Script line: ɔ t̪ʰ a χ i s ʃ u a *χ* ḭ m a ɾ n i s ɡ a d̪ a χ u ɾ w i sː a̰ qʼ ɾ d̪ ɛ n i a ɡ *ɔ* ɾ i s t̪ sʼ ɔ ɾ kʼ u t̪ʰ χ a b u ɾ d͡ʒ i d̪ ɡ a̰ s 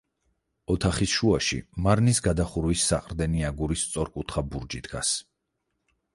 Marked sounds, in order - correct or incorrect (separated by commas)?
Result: incorrect, incorrect